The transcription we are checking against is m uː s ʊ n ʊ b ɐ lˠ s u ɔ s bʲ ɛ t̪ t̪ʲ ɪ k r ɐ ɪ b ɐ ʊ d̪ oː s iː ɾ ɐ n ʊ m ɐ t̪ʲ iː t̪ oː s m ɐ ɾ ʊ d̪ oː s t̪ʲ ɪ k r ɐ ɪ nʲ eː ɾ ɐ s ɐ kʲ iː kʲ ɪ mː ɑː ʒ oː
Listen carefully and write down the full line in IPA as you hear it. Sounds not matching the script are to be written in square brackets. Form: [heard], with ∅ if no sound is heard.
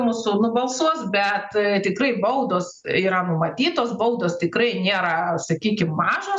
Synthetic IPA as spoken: m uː s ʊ n ʊ b ɐ lˠ s u ɔ s bʲ ɛ t̪ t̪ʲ ɪ k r ɐ ɪ b ɐ ʊ d̪ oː s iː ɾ ɐ n ʊ m ɐ t̪ʲ iː t̪ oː s [b] ɐ [∅] ʊ d̪ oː s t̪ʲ ɪ k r ɐ ɪ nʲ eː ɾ ɐ s ɐ kʲ iː kʲ ɪ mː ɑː ʒ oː